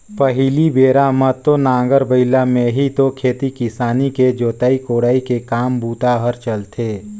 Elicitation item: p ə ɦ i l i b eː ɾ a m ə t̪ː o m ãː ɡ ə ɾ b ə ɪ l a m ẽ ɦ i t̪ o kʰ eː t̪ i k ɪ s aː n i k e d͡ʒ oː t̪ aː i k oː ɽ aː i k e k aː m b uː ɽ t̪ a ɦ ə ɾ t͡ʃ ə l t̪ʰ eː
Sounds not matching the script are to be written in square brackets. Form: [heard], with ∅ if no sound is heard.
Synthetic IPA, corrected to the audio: p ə ɦ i l i b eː ɾ a m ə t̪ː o [n] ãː ɡ ə ɾ b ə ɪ l a m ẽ ɦ i t̪ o kʰ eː t̪ i k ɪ s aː n i k e d͡ʒ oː t̪ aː i k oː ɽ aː i k e k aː m b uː [∅] t̪ a ɦ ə ɾ t͡ʃ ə l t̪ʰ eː